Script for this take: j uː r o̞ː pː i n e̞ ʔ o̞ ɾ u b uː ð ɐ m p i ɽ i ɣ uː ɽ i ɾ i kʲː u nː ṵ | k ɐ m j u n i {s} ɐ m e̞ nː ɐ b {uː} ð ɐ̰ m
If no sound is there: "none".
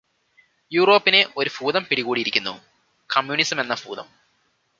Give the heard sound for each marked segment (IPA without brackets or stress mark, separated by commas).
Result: s, uː